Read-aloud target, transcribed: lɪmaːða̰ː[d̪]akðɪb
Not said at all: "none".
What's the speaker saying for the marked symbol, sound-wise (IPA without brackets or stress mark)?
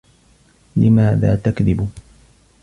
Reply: t̪